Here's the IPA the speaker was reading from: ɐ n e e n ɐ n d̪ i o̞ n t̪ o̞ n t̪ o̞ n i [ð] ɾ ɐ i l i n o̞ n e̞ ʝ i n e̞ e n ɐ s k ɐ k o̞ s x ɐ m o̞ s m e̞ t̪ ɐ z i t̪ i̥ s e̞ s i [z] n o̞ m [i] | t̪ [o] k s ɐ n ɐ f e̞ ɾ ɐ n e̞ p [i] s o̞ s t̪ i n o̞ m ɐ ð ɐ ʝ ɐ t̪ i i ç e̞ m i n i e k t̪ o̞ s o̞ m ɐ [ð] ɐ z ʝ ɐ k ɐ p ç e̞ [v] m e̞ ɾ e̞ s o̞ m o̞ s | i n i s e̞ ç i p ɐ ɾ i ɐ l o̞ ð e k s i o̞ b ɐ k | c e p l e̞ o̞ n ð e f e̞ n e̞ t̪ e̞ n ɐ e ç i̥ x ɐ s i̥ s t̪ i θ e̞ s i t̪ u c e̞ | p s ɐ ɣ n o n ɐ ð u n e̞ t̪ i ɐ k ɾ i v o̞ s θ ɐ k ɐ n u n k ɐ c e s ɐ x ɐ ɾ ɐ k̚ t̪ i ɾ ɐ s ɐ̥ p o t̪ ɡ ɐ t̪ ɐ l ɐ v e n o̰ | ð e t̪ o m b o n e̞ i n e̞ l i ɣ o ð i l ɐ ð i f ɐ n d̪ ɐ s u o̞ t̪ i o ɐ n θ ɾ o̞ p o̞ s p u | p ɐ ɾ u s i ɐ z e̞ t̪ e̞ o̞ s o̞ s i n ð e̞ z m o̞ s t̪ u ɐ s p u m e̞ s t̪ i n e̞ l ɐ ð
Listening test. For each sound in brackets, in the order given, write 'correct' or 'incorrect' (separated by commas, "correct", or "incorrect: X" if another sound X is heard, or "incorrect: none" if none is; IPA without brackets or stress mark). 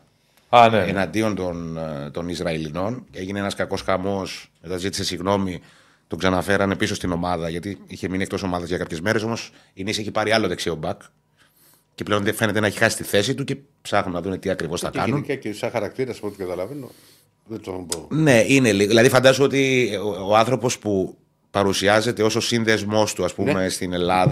incorrect: z, incorrect: ɣ, correct, correct, correct, correct, incorrect: z